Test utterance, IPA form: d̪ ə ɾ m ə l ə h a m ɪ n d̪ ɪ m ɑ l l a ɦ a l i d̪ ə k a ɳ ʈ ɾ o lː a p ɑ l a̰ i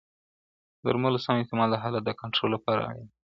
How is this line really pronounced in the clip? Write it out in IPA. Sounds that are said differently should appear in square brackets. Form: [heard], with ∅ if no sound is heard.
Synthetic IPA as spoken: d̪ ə ɾ m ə l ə [s] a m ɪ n [t̪] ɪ m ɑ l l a ɦ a l [a] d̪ ə k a ɳ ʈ ɾ o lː a p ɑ [ɾ] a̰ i